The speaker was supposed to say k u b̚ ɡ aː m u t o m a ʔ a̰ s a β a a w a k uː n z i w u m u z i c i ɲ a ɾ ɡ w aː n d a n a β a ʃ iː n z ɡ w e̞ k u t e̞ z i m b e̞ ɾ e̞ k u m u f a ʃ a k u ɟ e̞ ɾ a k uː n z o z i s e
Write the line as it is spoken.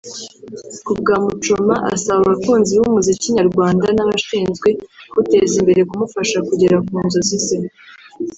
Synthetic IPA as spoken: k u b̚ ɡ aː m u t͡ʃ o m a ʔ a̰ s a β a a β a k uː n z i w u m u z i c i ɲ a ɾ ɡ w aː n d a n a β a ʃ iː n z ɡ w e̞ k u t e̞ z i m b e̞ ɾ e̞ k u m u f a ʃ a k u ɟ e̞ ɾ a k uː n z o z i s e